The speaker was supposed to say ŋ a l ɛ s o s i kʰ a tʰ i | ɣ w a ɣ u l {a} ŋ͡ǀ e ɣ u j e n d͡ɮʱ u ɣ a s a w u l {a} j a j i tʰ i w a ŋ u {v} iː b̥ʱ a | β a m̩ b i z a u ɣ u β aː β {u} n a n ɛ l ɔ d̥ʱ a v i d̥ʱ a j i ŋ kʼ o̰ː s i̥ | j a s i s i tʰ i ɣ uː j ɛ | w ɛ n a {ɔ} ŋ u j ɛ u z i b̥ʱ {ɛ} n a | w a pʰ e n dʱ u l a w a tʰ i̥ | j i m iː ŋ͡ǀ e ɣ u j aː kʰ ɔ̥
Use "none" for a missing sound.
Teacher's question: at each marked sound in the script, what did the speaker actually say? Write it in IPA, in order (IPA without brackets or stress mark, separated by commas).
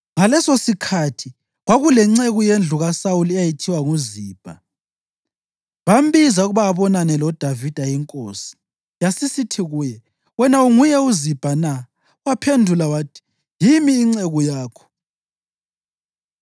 ɛ, ɛ, z, ɔ, u, a